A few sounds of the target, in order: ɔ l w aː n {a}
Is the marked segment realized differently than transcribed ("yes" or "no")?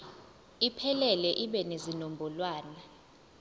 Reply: no